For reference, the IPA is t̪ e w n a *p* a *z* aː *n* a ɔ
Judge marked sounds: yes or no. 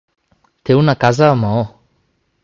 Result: no, yes, no

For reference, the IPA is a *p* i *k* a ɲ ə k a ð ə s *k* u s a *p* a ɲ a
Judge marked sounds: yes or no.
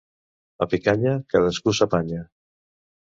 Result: yes, yes, yes, yes

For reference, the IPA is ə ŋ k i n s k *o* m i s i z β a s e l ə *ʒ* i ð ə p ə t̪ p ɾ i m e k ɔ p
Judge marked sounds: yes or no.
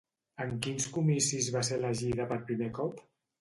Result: no, yes

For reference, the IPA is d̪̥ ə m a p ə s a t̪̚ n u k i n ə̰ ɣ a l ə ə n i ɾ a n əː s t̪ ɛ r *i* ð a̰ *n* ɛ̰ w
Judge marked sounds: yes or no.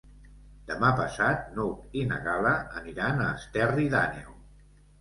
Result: yes, yes

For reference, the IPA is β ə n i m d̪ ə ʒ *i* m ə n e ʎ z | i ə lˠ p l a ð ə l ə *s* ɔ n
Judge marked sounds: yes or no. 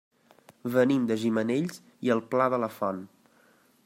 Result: yes, no

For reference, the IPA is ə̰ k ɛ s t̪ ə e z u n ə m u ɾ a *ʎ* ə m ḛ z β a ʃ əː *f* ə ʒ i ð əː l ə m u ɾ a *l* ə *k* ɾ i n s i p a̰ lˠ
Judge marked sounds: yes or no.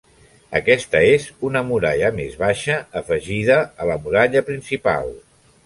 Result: yes, yes, no, no

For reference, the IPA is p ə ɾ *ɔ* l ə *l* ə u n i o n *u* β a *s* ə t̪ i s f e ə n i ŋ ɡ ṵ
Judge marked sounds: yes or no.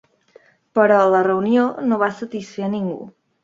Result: yes, no, no, yes

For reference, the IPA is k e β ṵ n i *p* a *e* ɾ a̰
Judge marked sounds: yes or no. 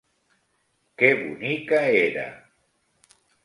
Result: no, yes

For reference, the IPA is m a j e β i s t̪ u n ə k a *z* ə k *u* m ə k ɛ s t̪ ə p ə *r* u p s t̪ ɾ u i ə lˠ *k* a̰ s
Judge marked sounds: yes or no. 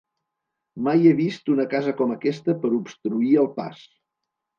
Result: yes, no, no, no

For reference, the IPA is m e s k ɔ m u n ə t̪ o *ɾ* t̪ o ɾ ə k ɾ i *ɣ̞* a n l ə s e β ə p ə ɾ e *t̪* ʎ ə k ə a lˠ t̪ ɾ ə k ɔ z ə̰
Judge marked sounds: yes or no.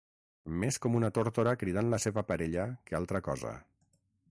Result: yes, no, no

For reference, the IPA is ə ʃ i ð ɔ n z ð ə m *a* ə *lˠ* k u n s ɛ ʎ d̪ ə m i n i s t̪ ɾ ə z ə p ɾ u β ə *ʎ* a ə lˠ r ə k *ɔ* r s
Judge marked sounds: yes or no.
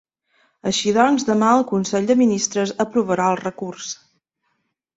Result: yes, yes, no, no

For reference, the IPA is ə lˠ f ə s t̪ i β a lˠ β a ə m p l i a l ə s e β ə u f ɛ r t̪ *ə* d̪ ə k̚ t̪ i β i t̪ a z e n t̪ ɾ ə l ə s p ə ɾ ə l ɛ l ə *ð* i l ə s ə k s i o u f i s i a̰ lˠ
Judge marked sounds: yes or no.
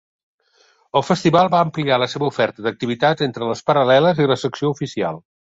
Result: yes, no

